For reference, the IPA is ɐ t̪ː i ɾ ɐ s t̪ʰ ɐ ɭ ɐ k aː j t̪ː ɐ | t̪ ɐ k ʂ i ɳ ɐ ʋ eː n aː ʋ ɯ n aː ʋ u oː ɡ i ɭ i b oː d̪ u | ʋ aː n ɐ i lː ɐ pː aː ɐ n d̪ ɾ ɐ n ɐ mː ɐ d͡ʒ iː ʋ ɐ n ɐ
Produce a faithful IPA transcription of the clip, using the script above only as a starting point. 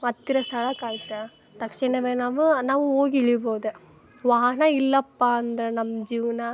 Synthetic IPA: ɐ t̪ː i ɾ ɐ s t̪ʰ ɐ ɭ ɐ k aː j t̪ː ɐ | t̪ ɐ k ʂ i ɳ ɐ ʋ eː n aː ʋ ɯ n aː ʋ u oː ɡ i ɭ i b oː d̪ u | ʋ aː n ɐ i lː ɐ pː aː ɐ n d̪ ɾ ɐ n ɐ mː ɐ d͡ʒ iː ʋ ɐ n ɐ